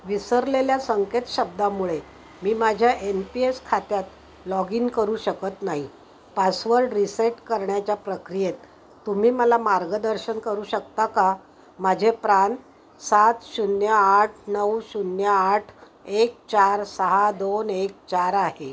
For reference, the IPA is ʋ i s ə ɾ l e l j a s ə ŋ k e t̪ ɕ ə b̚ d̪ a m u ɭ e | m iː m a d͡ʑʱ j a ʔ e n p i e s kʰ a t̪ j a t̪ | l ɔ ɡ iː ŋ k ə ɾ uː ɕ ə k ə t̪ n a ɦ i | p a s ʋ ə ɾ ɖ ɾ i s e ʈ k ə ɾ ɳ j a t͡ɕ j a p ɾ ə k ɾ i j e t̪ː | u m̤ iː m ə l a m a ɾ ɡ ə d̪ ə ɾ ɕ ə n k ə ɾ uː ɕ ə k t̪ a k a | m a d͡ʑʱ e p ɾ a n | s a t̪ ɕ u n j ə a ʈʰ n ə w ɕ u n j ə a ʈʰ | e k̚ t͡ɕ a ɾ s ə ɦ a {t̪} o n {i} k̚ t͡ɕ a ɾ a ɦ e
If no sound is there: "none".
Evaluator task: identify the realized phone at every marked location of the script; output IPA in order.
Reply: d̪, e

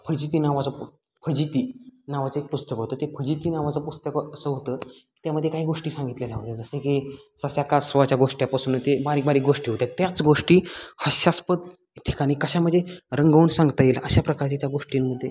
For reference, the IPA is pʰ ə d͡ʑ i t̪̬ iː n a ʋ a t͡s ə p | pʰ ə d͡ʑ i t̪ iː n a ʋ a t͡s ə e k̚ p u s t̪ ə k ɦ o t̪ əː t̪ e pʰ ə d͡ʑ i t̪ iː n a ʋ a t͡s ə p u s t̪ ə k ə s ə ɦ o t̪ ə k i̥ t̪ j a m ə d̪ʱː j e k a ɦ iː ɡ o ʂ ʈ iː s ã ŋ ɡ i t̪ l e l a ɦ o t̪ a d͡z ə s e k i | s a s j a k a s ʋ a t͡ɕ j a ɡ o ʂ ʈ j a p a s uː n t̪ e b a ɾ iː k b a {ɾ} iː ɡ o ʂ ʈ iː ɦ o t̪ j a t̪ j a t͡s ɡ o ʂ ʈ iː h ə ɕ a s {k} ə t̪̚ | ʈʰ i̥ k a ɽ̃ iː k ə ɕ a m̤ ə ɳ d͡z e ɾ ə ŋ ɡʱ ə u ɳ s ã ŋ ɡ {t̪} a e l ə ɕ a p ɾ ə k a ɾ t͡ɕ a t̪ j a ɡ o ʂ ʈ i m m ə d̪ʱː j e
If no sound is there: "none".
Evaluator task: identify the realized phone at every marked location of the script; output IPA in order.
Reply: ɾ, p, t̪

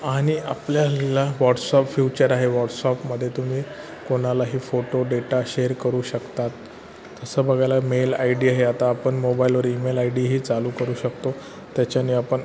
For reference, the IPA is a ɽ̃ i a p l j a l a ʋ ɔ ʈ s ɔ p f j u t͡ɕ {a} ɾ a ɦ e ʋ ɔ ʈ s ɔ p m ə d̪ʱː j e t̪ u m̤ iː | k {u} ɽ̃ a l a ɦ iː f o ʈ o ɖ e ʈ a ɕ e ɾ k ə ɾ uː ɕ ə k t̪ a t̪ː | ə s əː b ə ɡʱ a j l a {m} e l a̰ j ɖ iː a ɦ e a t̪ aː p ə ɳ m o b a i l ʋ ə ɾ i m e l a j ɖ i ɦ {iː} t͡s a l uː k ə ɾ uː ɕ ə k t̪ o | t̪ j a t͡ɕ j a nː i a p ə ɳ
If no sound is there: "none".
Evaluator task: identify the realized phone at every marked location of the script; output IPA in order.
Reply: ə, o, m, iː

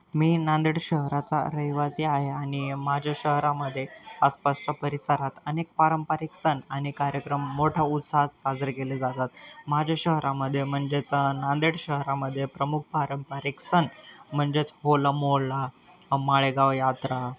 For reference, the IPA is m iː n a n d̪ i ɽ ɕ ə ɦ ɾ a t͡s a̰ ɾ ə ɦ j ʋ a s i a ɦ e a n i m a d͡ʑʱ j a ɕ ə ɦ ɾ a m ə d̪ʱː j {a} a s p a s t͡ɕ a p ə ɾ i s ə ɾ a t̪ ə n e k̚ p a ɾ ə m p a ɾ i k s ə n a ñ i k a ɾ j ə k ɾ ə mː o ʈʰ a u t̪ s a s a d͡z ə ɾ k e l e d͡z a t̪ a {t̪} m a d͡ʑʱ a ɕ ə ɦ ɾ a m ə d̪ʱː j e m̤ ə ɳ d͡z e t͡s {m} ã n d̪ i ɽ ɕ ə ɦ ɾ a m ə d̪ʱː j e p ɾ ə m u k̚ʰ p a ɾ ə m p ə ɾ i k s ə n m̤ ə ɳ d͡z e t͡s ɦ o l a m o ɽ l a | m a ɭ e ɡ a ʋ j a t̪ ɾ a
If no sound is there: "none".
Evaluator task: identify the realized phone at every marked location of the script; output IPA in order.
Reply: e, t̪, n

